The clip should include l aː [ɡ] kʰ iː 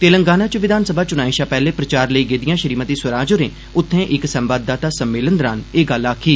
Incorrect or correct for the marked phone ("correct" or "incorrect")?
incorrect